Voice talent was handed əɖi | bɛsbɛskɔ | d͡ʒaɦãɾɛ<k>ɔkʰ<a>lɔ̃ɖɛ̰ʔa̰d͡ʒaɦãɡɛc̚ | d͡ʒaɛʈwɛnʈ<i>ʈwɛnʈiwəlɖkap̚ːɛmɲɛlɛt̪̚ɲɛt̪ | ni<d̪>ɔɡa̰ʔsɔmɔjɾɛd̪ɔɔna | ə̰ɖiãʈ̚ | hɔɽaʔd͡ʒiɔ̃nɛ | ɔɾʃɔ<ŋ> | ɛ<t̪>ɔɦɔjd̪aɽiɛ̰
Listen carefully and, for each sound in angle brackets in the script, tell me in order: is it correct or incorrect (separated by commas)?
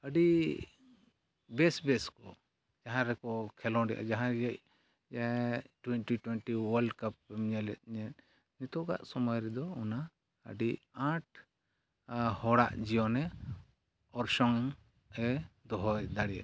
correct, incorrect, correct, incorrect, correct, incorrect